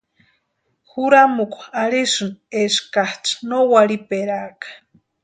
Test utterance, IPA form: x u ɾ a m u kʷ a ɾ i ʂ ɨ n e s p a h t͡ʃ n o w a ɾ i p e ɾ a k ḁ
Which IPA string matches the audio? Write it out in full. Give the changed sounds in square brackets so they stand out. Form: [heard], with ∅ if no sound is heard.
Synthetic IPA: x u ɾ a m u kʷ a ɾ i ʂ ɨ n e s [k] a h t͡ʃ n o w a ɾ i p e ɾ a k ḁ